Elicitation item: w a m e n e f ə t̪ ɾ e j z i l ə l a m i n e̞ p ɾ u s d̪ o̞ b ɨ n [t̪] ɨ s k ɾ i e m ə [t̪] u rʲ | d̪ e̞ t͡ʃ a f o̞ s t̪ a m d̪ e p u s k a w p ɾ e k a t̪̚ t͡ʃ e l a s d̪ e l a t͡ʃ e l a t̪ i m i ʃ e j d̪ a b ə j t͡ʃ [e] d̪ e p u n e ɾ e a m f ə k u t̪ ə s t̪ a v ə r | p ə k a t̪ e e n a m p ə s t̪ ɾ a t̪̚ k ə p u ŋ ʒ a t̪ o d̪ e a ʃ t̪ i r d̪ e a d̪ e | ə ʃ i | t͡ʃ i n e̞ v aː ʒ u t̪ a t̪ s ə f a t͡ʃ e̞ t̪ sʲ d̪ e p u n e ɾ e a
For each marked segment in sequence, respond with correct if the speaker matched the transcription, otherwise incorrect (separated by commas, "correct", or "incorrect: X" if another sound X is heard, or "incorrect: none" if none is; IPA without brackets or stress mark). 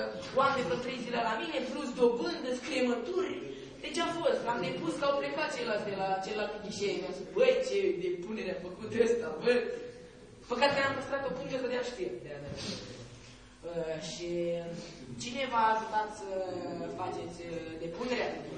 incorrect: d̪, correct, correct